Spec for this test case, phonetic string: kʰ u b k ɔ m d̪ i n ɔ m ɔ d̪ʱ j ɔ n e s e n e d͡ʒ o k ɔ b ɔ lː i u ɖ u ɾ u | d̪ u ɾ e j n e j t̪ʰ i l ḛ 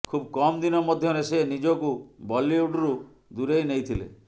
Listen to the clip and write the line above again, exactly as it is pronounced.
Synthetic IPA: kʰ u b k ɔ m d̪ i n ɔ m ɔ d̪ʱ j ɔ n e s e n i d͡ʒ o k u b ɔ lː i u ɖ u ɾ u | d̪ u ɾ e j n e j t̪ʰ i l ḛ